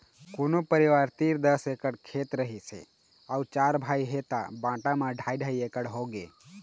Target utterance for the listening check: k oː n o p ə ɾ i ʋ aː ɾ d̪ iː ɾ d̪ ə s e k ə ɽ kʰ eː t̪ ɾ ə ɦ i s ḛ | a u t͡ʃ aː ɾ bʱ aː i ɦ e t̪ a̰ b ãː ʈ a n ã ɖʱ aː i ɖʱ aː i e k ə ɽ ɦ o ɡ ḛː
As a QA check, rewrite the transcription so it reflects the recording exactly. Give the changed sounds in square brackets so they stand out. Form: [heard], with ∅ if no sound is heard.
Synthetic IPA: k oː n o p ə ɾ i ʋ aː ɾ [t̪] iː ɾ d̪ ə s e k ə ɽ kʰ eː t̪ ɾ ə ɦ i s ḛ | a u t͡ʃ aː ɾ bʱ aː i ɦ e t̪ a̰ b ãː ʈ a [m] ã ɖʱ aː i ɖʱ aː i e k ə ɽ ɦ o ɡ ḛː